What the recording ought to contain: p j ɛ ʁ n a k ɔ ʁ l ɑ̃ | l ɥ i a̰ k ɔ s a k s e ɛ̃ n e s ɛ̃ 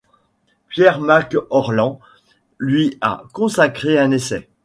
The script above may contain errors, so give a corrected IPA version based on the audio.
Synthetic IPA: p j ɛ ʁ m a k ɔ ʁ l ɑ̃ | l ɥ i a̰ k ɔ̃ s a k χ e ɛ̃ n e s ɛ